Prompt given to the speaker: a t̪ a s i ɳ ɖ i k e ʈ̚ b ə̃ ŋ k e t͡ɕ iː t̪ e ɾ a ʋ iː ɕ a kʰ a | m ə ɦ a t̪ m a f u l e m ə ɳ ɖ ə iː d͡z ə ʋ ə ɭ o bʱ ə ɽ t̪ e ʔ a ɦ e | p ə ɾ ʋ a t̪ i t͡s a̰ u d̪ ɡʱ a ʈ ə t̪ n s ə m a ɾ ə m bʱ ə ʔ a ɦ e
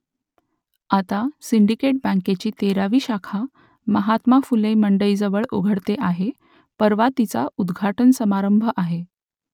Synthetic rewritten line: a t̪ a s i ɳ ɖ i k e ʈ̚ b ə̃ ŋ k e t͡ɕ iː t̪ e ɾ a ʋ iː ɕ a kʰ a | m ə ɦ a t̪ m a f u l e m ə ɳ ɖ ə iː d͡z ə ʋ ə ɭ o ɡʱ ə ɽ t̪ e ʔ a ɦ e | p ə ɾ ʋ a t̪ i t͡s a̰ u d̪ ɡʱ a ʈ ə n s ə m a ɾ ə m bʱ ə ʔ a ɦ e